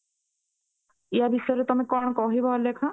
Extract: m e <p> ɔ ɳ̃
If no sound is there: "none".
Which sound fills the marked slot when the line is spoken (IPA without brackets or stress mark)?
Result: k